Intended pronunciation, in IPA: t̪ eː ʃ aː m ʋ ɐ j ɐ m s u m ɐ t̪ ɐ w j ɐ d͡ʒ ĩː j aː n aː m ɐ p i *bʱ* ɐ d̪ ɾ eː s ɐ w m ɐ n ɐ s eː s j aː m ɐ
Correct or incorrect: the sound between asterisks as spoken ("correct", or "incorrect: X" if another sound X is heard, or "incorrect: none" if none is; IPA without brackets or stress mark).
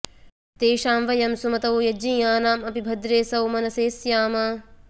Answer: correct